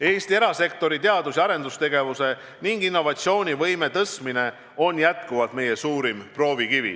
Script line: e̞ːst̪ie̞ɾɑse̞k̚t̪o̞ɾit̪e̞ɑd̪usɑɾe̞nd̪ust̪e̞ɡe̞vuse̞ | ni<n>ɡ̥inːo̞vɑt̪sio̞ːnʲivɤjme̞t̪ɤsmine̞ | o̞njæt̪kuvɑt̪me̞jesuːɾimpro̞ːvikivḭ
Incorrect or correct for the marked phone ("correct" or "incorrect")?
incorrect